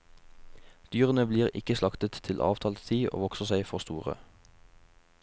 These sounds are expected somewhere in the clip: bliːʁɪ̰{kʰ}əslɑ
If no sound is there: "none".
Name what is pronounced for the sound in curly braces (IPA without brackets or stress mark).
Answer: k